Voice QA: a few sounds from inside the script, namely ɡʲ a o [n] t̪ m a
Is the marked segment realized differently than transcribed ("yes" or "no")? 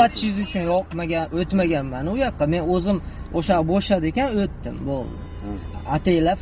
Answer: yes